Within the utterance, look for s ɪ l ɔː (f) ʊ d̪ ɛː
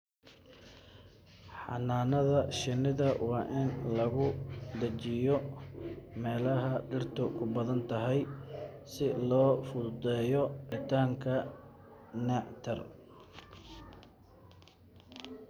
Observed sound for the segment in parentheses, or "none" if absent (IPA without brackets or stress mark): f